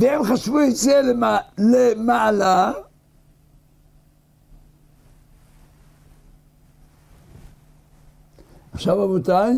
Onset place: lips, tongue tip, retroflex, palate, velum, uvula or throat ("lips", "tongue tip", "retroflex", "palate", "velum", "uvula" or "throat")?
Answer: lips